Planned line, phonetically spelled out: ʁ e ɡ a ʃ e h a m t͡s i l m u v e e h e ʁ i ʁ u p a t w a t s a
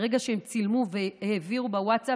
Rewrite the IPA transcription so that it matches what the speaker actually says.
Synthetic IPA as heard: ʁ e ɡ a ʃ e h e m t͡s i l m u v e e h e v i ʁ u b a w a t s a